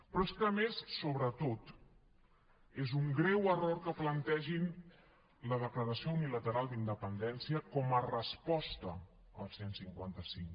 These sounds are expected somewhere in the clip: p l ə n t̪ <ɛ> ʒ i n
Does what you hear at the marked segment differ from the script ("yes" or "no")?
no